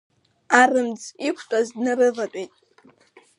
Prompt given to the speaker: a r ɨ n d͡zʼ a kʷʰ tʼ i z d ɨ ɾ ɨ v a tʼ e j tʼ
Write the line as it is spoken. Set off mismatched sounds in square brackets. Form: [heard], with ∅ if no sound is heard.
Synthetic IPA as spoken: a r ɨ [m] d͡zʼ [i] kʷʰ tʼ [a] z [n] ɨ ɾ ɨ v a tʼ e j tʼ